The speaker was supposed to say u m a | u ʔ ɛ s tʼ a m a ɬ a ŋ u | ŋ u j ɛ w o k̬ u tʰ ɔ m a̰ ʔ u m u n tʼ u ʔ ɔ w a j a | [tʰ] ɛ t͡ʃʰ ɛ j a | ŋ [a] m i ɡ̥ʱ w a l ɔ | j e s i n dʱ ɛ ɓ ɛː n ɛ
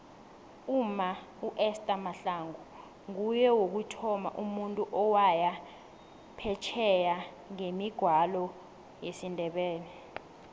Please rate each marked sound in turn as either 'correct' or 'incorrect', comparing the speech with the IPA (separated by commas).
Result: incorrect, incorrect